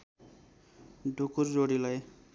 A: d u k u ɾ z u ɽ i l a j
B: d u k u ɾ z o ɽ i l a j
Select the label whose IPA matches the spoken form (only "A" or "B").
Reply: B